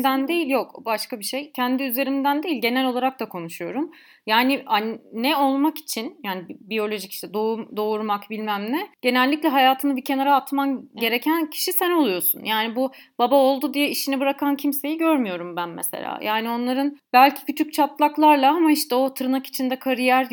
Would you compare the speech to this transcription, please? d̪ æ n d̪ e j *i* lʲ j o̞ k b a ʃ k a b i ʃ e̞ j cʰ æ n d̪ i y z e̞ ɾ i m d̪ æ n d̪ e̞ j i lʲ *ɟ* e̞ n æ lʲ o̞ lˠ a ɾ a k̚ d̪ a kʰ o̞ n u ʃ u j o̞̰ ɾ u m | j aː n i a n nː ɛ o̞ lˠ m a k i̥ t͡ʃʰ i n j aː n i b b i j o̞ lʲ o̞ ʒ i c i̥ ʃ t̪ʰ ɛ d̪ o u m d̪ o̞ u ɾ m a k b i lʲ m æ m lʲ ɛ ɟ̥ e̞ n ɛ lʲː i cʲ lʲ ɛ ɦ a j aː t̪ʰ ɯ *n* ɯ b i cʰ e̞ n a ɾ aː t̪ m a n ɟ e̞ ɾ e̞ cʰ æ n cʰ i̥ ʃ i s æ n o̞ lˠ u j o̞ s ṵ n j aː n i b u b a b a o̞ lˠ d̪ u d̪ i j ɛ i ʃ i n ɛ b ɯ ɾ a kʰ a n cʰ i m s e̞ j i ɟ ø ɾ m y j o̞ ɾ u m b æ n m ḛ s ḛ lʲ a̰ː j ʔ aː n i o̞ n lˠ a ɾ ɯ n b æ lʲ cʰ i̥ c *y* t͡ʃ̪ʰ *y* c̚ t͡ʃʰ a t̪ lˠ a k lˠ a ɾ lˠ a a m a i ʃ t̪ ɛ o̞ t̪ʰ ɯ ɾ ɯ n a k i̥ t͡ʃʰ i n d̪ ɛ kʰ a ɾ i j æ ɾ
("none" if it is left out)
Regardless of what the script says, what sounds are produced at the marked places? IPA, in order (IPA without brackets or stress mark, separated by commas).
i, ɟ, n, y, y